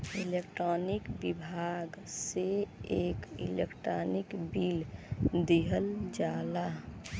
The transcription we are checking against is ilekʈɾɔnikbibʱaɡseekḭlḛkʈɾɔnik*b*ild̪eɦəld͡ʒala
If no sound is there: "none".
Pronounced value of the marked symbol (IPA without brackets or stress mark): b